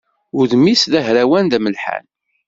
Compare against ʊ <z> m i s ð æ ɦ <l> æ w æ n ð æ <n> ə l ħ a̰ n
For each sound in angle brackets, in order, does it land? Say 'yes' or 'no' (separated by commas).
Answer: no, no, no